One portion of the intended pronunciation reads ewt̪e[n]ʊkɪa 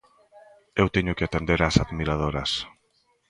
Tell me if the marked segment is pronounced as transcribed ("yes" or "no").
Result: no